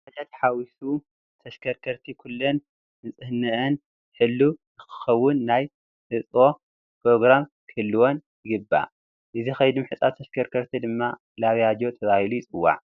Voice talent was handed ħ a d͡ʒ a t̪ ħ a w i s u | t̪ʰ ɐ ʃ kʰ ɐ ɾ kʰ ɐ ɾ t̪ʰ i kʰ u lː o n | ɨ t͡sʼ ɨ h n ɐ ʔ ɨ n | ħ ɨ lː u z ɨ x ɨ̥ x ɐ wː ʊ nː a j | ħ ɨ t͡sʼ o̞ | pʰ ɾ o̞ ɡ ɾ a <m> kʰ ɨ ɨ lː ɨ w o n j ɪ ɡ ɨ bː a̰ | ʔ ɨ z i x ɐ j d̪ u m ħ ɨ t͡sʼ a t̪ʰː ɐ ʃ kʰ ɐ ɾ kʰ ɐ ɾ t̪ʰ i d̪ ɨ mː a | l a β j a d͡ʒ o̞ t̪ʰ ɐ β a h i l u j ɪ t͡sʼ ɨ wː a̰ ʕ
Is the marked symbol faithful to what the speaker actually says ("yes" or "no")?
yes